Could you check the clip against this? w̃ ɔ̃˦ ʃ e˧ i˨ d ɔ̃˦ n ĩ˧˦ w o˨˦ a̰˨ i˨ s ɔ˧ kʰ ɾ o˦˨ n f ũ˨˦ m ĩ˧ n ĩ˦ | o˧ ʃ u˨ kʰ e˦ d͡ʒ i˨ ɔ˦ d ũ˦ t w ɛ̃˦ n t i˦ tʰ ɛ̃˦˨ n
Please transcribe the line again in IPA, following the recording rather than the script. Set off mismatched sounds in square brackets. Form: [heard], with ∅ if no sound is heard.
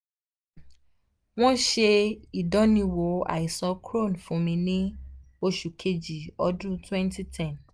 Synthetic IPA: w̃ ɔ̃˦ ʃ e˧ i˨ d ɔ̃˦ n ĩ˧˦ w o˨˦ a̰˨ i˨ s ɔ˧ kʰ ɾ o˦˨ n f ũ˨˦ m ĩ˧ n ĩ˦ | o˧ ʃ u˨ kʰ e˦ d͡ʒ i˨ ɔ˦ d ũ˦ t w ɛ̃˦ n t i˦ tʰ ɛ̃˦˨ n